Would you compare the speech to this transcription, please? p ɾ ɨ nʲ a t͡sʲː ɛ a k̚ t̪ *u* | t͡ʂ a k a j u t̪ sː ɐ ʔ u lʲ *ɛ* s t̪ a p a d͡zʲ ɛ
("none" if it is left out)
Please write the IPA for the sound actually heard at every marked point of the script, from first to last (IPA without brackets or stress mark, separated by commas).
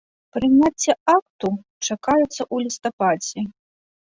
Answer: u, i